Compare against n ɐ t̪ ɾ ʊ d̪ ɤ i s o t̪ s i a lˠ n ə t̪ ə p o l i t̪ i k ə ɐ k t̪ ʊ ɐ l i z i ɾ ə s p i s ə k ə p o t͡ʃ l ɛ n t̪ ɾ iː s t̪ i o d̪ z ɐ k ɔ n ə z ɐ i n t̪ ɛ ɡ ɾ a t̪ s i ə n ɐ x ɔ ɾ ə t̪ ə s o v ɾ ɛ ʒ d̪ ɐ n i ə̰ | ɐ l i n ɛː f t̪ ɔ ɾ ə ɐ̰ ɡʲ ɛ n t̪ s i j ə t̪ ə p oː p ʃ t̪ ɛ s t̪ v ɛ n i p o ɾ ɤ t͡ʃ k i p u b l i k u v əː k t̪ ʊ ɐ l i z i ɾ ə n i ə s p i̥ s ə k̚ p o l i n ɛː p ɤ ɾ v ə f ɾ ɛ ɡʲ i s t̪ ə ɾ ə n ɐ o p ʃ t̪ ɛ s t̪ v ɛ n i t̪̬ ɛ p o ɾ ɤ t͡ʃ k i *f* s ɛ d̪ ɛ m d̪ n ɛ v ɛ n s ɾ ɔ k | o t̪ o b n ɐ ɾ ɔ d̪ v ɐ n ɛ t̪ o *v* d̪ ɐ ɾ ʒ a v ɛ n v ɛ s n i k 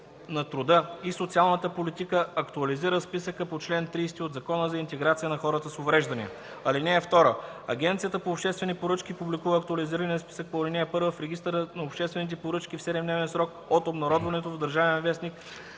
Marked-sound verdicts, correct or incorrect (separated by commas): correct, correct